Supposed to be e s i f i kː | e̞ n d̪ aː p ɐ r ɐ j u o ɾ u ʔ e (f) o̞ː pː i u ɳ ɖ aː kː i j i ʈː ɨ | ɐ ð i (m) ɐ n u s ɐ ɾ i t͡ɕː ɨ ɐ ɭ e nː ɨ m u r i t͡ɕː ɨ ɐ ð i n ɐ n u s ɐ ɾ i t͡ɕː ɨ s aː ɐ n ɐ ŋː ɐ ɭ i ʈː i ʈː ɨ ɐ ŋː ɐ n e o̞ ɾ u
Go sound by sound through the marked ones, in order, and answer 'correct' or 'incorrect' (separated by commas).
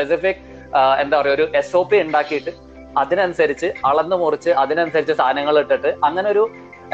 incorrect, incorrect